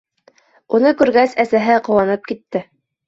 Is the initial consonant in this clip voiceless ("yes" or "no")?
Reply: no